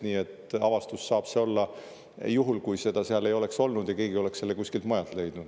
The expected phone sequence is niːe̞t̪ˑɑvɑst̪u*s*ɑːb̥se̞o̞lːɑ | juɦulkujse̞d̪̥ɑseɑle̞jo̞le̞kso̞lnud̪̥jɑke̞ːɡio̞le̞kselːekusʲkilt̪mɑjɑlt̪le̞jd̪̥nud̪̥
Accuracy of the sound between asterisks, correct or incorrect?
incorrect: sː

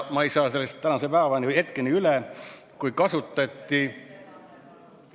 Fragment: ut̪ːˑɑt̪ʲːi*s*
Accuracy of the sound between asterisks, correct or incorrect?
incorrect: none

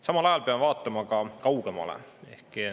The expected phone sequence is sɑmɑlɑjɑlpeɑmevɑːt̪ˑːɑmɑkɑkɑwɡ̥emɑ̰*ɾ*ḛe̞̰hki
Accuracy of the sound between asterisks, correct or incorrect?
incorrect: l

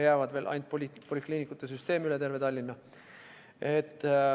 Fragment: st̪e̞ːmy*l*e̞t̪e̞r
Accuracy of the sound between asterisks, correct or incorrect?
correct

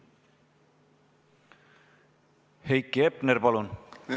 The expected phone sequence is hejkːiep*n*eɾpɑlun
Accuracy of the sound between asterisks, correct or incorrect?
correct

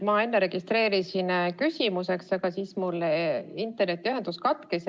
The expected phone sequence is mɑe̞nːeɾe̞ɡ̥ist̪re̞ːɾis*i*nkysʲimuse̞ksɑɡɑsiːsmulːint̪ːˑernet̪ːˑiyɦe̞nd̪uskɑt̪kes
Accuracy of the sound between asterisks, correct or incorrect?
correct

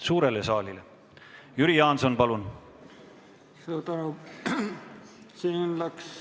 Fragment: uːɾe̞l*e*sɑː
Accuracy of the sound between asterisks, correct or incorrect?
correct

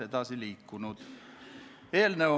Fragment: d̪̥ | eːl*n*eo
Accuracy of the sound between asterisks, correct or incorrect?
correct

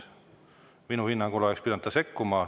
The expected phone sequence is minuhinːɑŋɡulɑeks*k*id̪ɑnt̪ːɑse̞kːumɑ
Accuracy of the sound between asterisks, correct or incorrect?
incorrect: p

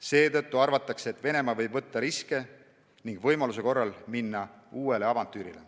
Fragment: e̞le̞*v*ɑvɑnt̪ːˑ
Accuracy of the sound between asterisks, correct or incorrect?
incorrect: none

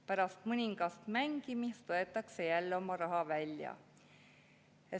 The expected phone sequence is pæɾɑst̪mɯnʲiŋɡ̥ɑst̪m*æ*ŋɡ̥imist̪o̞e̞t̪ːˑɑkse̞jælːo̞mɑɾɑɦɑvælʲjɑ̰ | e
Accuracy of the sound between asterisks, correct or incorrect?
correct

